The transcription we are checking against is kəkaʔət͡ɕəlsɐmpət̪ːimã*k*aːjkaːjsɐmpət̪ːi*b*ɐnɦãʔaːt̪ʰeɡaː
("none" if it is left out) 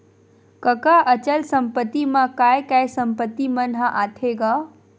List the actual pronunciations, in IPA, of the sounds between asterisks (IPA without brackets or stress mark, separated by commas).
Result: k, m